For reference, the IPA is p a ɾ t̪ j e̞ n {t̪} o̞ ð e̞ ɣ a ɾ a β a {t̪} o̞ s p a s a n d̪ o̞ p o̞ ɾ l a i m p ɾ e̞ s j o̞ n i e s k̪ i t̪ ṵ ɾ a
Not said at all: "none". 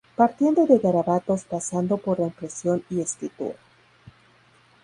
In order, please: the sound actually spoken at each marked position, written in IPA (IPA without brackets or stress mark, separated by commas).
d̪, t̪